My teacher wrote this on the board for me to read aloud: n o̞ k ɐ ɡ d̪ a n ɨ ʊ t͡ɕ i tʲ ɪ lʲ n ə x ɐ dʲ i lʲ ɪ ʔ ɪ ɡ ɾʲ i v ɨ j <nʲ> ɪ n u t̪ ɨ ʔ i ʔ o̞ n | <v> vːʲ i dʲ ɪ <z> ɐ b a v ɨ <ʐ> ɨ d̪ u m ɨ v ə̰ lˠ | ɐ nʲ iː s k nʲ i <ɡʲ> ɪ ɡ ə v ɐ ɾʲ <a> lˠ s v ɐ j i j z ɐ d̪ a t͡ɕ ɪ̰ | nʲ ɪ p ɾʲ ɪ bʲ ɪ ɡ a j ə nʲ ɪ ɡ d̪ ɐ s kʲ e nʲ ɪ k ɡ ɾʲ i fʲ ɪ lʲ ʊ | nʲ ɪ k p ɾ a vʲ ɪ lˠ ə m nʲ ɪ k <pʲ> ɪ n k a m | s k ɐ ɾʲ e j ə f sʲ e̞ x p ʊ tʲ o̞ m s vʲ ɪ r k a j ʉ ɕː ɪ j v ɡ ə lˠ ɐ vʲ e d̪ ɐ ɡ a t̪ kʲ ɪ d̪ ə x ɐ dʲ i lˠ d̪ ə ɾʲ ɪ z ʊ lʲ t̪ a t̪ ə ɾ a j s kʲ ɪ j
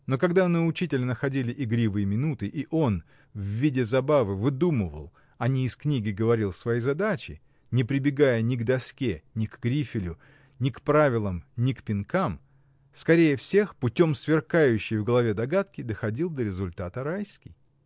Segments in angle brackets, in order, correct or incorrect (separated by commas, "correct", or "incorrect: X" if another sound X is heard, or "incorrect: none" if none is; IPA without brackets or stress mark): incorrect: mʲ, correct, correct, incorrect: v, correct, incorrect: i, correct